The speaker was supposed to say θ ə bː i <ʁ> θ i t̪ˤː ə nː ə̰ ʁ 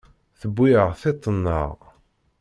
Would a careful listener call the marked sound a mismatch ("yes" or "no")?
no